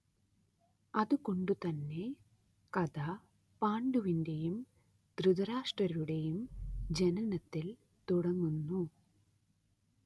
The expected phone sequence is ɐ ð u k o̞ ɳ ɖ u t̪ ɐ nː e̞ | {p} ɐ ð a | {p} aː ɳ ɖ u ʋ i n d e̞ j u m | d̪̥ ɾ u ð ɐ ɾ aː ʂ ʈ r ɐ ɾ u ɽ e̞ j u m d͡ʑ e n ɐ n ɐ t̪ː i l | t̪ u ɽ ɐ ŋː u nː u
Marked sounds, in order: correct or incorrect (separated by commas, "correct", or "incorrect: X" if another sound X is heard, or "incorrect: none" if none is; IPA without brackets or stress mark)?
incorrect: k, correct